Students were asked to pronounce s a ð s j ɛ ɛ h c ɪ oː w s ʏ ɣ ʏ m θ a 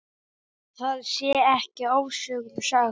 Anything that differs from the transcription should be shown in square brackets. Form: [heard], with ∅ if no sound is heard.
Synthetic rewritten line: [θ] a ð s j ɛ ɛ h c ɪ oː w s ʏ ɣ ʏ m [s] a